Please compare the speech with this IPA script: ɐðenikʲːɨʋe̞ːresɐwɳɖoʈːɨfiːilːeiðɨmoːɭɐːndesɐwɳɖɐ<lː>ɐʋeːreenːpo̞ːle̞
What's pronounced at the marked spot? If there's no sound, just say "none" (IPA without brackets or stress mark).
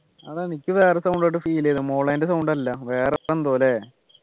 lː